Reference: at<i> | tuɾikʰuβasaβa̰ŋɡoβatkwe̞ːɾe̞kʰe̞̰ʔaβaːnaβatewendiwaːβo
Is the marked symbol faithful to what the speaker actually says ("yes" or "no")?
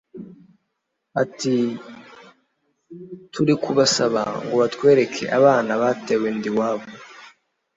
yes